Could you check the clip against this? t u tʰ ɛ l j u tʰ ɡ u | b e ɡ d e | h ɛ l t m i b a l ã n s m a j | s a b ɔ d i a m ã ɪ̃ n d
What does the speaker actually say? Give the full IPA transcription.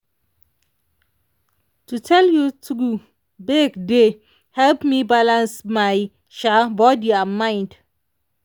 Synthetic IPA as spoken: t u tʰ ɛ l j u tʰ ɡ u | b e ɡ d e | h ɛ l p m i b a l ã n s m a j | ʃ a b ɔ d i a m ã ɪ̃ n d

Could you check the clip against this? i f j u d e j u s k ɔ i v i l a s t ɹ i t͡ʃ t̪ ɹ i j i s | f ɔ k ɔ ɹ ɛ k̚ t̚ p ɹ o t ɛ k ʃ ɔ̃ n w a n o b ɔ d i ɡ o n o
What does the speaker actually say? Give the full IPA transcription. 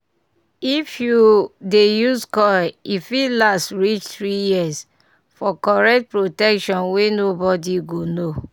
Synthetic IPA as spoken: i f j u d e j u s k ɔ i f i l a s t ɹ i t͡ʃ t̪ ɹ i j i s | f ɔ k ɔ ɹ ɛ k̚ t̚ p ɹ o t ɛ k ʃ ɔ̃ n w e n o b ɔ d i ɡ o n o

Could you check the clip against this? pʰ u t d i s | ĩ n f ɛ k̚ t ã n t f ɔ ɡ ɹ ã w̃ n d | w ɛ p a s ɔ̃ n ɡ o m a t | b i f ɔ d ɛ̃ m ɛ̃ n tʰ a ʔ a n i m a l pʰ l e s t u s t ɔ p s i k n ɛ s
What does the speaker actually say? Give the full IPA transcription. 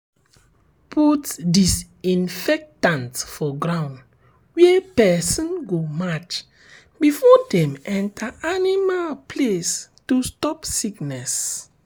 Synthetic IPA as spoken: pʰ u t d i s | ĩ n f ɛ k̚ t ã n t f ɔ ɡ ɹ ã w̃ n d | w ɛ p ɛ s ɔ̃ n ɡ o m a t͡ʃ | b i f ɔ d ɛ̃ m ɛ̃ n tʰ a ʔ a n i m a l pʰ l e s t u s t ɔ p s i k n ɛ s

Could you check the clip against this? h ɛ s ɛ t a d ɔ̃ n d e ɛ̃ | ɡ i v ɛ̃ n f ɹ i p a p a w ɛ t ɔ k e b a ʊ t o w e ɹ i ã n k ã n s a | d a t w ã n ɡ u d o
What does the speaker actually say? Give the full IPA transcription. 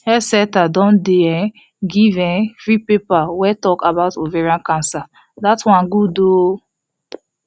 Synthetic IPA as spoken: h ɛ s ɛ t a d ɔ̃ n d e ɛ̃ | ɡ i v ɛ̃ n f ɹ i p e p a w ɛ t ɔ k a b a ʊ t o v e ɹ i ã n k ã n s a | d a t w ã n ɡ u d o

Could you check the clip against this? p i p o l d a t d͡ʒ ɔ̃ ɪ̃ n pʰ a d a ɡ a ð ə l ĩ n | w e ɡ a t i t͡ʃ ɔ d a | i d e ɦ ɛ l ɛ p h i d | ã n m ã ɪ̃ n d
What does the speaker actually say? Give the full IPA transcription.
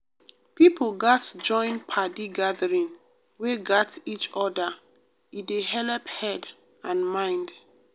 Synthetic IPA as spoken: p i p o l ɡ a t d͡ʒ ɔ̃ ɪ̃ n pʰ a d i ɡ a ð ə ɹ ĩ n | w e ɡ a t i t͡ʃ ɔ d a | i d e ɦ ɛ l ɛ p h ɛ d | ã n m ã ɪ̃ n d

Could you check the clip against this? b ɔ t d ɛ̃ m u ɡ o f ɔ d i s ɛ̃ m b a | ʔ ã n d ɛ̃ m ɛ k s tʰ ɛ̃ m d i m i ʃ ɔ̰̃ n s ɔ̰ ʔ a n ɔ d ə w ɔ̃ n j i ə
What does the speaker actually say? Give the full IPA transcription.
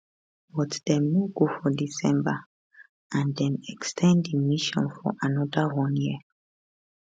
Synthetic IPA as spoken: b ɔ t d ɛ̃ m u ɡ o f ɔ d i s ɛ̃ m b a | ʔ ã n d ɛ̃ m ɛ k s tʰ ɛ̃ n d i m i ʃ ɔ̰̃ n f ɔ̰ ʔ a n ɔ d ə w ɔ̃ n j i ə

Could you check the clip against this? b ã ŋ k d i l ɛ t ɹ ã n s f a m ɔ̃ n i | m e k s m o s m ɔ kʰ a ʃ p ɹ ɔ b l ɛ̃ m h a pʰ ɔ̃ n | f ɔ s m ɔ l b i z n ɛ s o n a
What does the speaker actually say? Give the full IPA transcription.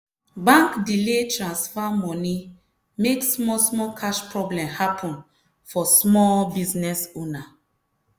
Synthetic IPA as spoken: b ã ŋ k d i l e t ɹ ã n s f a m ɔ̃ n i | m e k s m ɔ s m ɔ kʰ a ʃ p ɹ ɔ b l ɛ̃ m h a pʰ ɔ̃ n | f ɔ s m ɔ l b i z n ɛ s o n a

